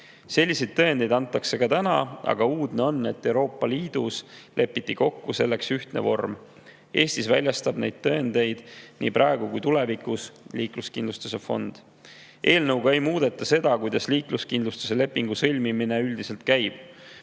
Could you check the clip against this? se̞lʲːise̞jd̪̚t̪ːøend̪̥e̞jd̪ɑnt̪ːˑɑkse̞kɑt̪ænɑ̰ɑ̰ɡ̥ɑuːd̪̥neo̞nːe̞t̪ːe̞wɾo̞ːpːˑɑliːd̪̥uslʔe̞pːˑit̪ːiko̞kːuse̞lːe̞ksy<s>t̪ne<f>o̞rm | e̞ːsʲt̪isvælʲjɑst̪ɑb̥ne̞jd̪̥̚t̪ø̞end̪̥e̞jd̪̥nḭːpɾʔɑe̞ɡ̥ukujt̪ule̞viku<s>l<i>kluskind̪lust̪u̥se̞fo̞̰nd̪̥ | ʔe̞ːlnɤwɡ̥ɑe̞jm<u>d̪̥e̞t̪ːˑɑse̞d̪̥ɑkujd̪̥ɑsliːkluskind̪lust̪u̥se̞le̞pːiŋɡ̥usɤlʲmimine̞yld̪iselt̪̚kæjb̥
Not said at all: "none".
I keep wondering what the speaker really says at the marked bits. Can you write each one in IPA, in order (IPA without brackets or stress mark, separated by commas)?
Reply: h, v, s, iː, uː